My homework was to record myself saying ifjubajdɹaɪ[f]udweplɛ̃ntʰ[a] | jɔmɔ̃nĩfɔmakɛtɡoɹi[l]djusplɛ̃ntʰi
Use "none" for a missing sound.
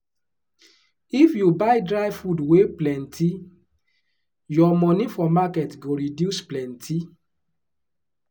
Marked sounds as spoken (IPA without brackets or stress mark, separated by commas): f, i, none